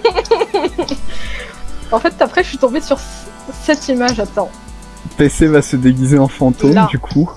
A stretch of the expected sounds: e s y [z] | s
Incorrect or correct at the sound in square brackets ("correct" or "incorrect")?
incorrect